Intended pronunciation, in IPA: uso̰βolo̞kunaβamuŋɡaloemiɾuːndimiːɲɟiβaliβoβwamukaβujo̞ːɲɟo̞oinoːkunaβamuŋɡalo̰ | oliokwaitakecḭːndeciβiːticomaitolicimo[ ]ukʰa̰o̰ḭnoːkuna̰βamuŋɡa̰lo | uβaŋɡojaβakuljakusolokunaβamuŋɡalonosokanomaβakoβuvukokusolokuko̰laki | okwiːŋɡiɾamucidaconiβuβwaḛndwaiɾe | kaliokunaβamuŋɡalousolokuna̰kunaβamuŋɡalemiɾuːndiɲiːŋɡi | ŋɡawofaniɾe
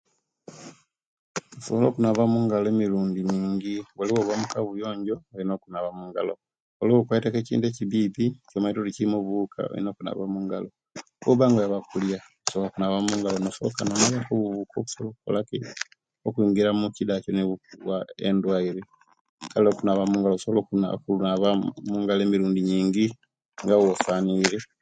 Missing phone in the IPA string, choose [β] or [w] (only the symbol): β